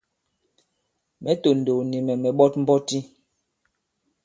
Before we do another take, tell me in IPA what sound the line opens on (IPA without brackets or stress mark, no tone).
m